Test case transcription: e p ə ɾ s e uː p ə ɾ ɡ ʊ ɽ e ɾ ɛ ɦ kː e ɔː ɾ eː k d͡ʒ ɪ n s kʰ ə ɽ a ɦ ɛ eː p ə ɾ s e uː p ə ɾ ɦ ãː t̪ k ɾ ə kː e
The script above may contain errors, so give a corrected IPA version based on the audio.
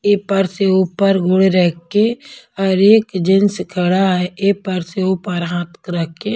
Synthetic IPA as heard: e p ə ɾ s e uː p ə ɾ ɡ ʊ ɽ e ɾ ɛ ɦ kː e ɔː ɾ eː k d͡ʒ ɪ n s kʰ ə ɽ a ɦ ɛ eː p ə ɾ s e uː p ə ɾ ɦ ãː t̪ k ɾ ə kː e